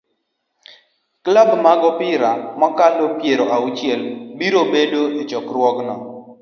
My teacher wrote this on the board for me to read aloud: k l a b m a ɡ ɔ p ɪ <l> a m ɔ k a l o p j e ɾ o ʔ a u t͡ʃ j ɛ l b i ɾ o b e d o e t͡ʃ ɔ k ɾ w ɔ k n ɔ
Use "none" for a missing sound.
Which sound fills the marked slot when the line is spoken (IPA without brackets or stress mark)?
ɾ